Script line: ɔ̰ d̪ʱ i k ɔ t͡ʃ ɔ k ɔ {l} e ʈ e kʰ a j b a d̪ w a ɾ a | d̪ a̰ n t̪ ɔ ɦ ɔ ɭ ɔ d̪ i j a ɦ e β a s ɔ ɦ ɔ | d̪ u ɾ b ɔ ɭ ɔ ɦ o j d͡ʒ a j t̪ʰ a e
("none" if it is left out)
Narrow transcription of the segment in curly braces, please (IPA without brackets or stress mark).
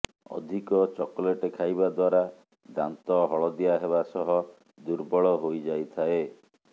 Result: l